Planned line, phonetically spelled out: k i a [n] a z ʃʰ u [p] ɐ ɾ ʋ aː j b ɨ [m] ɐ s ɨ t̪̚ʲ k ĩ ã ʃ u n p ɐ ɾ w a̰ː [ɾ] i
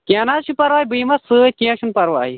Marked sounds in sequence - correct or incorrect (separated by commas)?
correct, correct, correct, incorrect